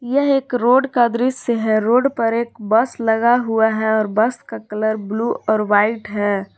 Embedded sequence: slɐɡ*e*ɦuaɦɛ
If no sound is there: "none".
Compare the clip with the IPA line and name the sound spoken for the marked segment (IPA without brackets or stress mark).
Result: a